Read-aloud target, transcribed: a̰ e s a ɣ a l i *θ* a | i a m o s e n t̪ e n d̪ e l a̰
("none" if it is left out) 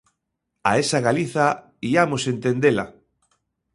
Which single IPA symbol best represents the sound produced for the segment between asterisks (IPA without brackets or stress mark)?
θ